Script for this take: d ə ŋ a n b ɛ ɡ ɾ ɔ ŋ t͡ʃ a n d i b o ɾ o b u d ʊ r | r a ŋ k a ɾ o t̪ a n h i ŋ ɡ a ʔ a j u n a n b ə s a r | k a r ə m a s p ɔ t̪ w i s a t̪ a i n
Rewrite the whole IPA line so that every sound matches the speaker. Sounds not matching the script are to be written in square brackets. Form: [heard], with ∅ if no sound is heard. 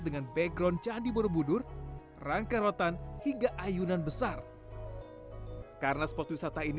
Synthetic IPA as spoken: d ə ŋ a n b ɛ ɡ ɾ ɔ [n] t͡ʃ a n d i b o ɾ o b u d ʊ r | r a ŋ k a ɾ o t̪ a n h i ŋ ɡ a ʔ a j u n a n b ə s a r | k a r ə [n] a s p ɔ t̪ w i s a t̪ a i n